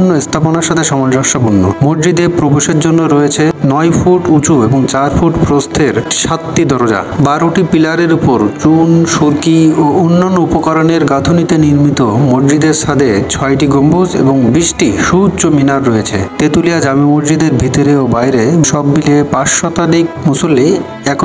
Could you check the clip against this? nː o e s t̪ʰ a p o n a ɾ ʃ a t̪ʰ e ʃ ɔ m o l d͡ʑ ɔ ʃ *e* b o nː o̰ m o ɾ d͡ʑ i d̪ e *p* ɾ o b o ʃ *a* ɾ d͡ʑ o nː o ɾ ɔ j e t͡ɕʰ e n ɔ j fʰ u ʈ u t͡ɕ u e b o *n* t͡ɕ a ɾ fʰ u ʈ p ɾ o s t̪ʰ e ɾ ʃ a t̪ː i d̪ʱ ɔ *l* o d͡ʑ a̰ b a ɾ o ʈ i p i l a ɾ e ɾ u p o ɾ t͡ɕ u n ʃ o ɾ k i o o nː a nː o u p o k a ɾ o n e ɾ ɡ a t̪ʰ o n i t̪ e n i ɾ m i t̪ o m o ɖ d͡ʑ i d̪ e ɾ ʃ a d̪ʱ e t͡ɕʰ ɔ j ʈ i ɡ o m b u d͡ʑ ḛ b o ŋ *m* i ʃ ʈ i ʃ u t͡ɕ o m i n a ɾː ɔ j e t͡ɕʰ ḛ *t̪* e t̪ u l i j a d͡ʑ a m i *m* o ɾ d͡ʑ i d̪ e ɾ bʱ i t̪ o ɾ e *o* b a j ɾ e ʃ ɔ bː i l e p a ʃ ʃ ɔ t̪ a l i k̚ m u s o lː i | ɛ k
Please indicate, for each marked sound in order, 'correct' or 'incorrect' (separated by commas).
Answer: incorrect, correct, incorrect, incorrect, incorrect, incorrect, correct, correct, correct